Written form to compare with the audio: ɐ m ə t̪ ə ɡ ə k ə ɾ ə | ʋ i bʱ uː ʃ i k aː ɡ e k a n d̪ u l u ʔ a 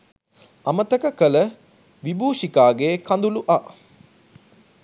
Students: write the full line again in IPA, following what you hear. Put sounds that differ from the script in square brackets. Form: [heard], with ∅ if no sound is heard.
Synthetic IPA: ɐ m ə t̪ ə [k] ə k ə [l] ə | ʋ i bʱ uː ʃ i k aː ɡ e k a n d̪ u l u ʔ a